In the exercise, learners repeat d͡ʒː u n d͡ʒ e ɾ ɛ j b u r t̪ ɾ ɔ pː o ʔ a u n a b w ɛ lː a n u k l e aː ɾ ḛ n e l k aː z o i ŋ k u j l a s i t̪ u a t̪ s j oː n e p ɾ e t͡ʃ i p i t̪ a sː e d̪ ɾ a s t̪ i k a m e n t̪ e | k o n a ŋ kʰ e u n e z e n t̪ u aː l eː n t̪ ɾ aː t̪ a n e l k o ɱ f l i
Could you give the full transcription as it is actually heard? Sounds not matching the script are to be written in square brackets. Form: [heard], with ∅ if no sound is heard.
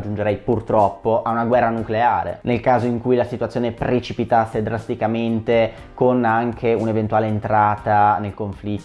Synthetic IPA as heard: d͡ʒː u n d͡ʒ e ɾ ɛ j [p] u r t̪ ɾ ɔ pː o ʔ a u n a [ɡ] w ɛ [rː] a n u k l e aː ɾ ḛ n e l k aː z o i ŋ k u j l a s i t̪ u a t̪ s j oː n e p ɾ e t͡ʃ i p i t̪ a sː e d̪ ɾ a s t̪ i k a m e n t̪ e | k o n a ŋ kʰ e u n e [v] e n t̪ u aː l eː n t̪ ɾ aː t̪ a n e l k o ɱ f l i

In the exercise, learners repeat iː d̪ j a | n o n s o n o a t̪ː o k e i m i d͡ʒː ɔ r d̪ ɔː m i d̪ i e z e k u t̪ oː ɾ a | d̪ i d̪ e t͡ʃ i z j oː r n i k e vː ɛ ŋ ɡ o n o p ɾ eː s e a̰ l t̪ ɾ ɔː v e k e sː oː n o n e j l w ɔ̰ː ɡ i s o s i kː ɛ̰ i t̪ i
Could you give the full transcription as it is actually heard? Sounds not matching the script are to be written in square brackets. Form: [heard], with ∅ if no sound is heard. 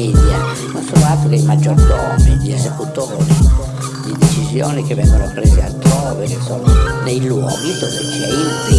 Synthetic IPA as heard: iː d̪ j a | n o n s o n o a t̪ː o k e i m [a] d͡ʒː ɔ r d̪ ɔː m i d̪ i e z e k u t̪ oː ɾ [i] | d̪ i d̪ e t͡ʃ i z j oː [∅] n i k e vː ɛ ŋ ɡ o n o p ɾ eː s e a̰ l t̪ ɾ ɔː v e k e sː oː n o n e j l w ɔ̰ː ɡ i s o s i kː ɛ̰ i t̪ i

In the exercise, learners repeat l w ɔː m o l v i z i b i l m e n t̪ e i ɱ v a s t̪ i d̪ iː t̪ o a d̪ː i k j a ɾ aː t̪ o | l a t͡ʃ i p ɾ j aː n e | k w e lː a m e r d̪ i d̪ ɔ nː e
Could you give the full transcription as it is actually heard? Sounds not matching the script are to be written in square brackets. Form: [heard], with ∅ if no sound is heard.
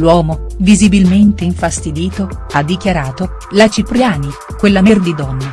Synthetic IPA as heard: l w ɔː m o [∅] v i z i b i l m e n t̪ e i ɱ [f] a s t̪ i d̪ iː t̪ o a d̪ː i k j a ɾ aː t̪ o | l a t͡ʃ i p ɾ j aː n [i] | k w e lː a m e r d̪ i d̪ ɔ nː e

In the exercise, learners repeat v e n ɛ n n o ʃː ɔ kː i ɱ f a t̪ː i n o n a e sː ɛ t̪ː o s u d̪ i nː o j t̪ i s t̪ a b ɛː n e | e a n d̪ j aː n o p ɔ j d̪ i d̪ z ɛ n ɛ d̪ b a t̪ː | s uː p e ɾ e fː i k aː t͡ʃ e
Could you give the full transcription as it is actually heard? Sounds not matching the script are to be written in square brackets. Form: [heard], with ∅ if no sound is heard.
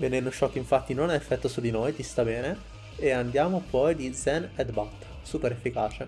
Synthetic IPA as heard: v e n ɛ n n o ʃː ɔ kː i ɱ f a t̪ː i n o n a e [fː] ɛ t̪ː o s u d̪ i [n] o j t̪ i s t̪ a b ɛː n e | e a n d̪ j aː [m] o p ɔ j d̪ i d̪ z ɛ n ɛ d̪ b a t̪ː | s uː p e ɾ e fː i k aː t͡ʃ e

